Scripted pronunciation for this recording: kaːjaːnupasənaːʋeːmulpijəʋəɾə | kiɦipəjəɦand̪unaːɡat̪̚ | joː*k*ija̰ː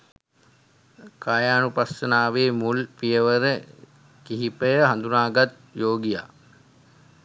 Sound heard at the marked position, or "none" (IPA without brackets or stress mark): ɡ